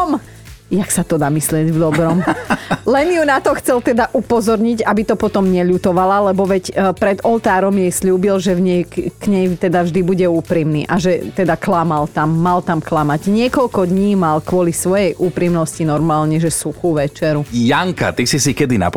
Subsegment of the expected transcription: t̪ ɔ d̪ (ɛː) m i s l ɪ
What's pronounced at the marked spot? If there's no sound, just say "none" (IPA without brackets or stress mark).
aː